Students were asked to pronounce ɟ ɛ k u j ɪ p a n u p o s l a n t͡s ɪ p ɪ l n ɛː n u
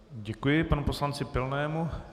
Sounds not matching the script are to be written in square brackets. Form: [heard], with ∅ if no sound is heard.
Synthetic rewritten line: ɟ ɛ k u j ɪ p a n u p o s l a n t͡s ɪ p ɪ l n ɛː [m] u